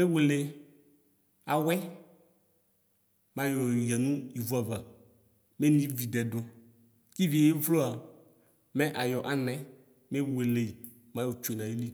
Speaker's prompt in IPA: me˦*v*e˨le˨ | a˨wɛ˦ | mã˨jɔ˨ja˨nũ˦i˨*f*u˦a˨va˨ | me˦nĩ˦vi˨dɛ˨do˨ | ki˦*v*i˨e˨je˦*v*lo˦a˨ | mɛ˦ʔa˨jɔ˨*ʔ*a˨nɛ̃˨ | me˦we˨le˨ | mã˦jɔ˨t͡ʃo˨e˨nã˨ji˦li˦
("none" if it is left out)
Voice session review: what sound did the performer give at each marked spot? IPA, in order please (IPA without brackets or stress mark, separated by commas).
w, v, v, v, ʔ